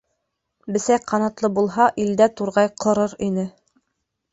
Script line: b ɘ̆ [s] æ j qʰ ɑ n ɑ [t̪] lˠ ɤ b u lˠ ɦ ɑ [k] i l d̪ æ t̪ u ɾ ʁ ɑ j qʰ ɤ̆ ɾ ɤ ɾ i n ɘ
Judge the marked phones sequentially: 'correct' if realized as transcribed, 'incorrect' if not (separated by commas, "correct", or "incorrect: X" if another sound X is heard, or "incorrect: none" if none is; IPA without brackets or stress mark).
correct, correct, incorrect: ʔ